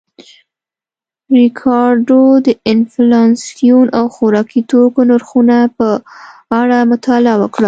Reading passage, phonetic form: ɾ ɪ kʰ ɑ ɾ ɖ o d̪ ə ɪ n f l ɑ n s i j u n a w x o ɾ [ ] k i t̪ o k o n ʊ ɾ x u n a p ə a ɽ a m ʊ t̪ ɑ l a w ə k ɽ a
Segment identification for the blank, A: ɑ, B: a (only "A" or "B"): A